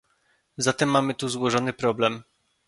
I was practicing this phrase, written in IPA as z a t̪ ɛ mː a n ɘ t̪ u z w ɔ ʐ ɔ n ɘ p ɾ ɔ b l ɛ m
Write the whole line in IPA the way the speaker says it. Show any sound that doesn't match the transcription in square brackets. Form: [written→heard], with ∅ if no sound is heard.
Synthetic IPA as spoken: z a t̪ ɛ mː a [n→m] ɘ t̪ u z w ɔ ʐ ɔ n ɘ p ɾ ɔ b l ɛ m